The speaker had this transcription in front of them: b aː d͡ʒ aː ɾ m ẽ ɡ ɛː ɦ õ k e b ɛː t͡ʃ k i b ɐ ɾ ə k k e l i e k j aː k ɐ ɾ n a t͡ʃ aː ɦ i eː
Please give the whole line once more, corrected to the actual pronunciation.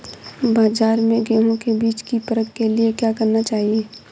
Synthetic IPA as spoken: b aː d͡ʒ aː ɾ m ẽ ɡ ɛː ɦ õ k e b iː t͡ʃ k i p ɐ ɾ ə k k e l i e k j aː k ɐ ɾ n a t͡ʃ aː ɦ i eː